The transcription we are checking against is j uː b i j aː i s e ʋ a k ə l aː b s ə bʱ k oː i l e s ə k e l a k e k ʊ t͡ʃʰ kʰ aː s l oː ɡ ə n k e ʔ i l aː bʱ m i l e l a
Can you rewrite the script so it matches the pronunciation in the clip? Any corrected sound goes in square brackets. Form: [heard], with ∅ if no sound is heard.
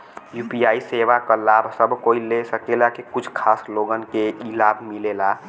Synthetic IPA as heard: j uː [p] i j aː i s e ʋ a k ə l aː b s ə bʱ k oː i l e s ə k e l a k e k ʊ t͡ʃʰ kʰ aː s l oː ɡ ə n k e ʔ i l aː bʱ m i l e l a